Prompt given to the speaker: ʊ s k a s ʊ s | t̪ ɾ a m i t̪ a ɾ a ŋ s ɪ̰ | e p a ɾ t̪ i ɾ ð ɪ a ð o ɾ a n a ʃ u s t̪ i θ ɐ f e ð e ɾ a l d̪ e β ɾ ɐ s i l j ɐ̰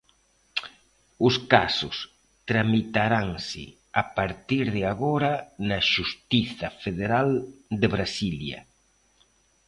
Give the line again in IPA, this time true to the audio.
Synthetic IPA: ʊ s k a s ʊ s | t̪ ɾ a m i t̪ a ɾ a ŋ s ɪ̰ | a p a ɾ t̪ i ɾ ð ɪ a ɣ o ɾ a n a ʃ u s t̪ i θ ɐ f e ð e ɾ a l d̪ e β ɾ a s i l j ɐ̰